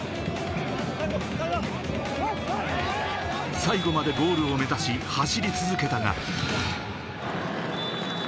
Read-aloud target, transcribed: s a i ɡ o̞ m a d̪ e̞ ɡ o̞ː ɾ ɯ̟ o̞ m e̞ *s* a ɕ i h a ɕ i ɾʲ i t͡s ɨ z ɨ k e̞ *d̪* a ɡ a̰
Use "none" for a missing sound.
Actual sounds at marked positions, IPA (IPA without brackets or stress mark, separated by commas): z, t̪